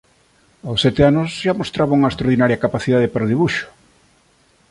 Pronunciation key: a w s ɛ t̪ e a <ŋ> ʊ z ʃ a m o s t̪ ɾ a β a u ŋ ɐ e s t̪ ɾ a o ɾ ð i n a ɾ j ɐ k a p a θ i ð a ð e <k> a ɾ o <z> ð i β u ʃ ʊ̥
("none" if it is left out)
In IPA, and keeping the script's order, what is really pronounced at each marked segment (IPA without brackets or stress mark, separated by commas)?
n, p, none